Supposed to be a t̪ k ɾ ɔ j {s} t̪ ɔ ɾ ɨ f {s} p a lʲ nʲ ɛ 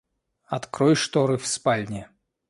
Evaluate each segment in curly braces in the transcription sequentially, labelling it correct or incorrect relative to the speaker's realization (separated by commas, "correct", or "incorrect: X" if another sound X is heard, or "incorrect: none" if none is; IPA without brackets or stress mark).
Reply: incorrect: ʂ, correct